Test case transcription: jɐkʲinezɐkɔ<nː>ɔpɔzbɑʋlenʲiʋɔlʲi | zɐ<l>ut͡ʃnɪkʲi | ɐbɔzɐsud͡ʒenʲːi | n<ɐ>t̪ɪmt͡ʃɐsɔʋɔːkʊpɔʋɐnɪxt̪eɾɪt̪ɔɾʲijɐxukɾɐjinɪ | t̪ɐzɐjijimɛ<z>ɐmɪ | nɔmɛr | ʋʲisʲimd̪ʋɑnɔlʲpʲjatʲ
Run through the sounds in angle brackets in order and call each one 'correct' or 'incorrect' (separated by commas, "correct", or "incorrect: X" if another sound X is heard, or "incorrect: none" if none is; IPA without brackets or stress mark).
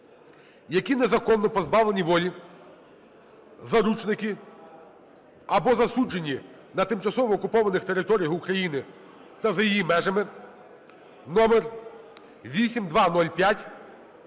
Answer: correct, incorrect: ɾ, correct, incorrect: ʒ